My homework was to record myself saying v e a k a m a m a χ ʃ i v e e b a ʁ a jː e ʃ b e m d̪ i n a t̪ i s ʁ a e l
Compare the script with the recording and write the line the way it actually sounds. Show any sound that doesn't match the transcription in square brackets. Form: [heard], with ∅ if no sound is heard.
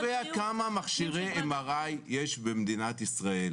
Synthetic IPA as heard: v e a k a m a m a χ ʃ i [ʁ] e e [m] a ʁ a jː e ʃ b e m d̪ i n a t̪ i s ʁ a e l